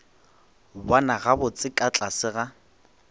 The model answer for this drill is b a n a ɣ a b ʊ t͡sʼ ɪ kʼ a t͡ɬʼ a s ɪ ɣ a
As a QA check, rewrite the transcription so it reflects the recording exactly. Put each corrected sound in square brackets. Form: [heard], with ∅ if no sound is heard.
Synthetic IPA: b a n a ɣ a b ʊ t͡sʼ ɪ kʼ a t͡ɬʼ a s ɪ ɣ a